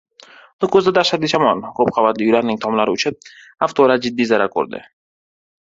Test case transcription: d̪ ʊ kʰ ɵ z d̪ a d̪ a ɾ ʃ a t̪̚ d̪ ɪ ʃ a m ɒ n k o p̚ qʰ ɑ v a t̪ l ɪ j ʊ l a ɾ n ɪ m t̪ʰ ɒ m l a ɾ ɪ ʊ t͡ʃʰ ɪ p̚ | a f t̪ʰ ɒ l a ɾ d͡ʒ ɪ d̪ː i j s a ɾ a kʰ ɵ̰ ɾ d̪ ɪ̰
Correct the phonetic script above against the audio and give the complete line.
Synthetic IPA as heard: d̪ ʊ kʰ ɵ z d̪ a d̪ a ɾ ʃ a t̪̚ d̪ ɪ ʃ a m ɒ n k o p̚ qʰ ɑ v a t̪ l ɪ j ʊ l a ɾ n ɪ ŋ t̪ʰ ɒ m l a ɾ ɪ ʊ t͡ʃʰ ɪ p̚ | a f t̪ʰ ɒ l a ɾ d͡ʒ ɪ d̪ː i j z a ɾ a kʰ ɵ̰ ɾ d̪ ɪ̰